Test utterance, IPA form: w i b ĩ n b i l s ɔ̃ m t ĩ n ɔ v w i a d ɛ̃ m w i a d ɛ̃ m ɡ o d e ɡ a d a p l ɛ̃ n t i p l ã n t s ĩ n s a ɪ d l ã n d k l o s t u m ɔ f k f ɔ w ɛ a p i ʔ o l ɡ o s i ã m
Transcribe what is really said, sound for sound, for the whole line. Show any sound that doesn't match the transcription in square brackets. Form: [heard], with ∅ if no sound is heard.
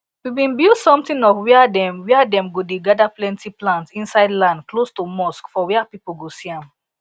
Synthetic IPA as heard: w i b ĩ n b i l s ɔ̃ m t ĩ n ɔ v w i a d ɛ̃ m w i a d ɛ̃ m ɡ o d e ɡ a d a p l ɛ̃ n t i p l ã n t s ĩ n s a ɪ d l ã n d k l o s t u m ɔ [s] k f ɔ w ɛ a p i [p] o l ɡ o s i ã m